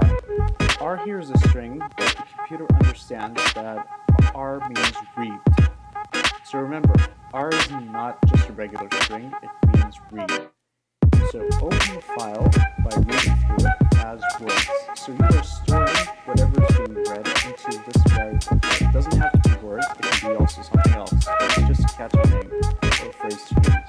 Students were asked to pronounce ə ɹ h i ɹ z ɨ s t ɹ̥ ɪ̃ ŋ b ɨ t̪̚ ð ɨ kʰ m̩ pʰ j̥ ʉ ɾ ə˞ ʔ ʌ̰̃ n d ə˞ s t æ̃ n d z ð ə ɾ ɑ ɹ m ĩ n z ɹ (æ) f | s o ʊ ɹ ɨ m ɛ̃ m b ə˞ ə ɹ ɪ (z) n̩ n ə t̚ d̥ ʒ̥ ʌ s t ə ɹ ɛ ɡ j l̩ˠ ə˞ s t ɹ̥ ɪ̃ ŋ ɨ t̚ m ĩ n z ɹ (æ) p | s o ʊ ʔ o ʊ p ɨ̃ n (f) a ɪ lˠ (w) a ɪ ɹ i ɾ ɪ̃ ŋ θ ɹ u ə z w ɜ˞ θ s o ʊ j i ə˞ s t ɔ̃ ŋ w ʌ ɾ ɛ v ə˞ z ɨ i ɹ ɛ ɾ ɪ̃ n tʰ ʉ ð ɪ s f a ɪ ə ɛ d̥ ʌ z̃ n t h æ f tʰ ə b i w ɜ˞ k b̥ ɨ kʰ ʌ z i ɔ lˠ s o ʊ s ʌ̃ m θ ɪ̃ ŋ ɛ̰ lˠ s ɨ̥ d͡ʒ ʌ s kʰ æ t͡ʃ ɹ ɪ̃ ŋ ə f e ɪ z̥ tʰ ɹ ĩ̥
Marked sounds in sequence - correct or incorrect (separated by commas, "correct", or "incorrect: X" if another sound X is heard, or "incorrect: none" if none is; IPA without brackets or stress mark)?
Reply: incorrect: i, correct, incorrect: i, correct, incorrect: b